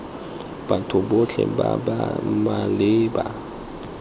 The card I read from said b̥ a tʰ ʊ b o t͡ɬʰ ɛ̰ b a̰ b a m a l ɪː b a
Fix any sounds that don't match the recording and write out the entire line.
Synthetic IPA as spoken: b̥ a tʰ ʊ b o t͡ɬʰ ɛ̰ b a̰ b a m a l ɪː b a